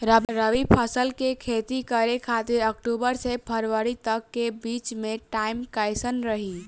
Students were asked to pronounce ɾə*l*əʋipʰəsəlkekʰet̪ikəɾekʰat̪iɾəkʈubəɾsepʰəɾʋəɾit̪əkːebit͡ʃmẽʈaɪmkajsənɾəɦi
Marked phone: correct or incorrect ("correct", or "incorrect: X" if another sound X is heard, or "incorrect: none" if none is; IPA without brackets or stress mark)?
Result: incorrect: ɾ